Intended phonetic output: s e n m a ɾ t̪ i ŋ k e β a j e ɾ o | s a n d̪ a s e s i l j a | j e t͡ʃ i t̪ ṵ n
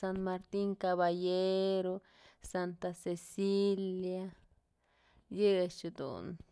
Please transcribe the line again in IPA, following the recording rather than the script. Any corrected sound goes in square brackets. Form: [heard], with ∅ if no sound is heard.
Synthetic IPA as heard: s [a] n m a ɾ t̪ i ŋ k [a] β a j e ɾ o | s a n [t̪] a s e s i l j a | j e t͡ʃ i [d̪] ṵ n